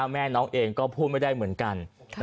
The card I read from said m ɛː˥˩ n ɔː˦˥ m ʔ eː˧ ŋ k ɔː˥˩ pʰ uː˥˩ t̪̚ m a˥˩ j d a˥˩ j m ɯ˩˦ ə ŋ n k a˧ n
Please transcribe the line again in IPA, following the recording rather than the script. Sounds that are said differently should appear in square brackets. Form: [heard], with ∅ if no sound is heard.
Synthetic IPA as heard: m ɛː˥˩ n ɔː˦˥ [ŋ] ʔ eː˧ ŋ k ɔː˥˩ pʰ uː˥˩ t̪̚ m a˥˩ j d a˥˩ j m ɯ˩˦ ə [∅] n k a˧ n